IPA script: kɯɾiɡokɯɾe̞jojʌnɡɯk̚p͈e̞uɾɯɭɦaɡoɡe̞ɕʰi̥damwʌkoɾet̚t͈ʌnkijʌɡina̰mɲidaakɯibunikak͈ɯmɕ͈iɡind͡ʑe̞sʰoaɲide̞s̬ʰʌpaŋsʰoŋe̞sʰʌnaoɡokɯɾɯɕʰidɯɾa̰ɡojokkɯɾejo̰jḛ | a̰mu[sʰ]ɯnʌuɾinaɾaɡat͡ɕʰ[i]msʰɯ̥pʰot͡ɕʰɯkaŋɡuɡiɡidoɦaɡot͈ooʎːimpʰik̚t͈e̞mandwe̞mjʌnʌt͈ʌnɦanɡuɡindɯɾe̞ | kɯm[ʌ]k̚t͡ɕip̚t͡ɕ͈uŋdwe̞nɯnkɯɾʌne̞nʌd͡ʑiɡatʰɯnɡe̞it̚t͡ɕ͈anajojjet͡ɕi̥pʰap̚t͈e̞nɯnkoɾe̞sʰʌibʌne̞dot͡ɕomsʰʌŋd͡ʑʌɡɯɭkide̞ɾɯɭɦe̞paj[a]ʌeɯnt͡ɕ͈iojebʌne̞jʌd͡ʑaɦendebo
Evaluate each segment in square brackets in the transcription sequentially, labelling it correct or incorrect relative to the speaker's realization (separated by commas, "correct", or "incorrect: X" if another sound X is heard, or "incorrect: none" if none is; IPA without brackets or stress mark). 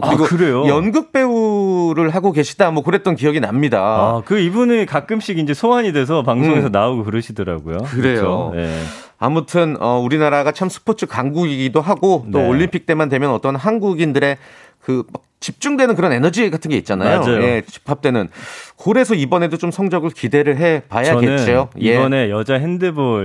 incorrect: tʰ, incorrect: a, incorrect: a, correct